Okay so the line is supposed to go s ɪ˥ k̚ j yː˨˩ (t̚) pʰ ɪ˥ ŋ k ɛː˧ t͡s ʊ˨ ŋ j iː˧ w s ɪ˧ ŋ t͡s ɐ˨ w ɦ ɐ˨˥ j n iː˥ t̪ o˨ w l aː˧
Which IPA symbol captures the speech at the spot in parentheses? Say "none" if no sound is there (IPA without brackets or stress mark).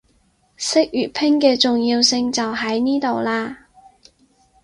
t̚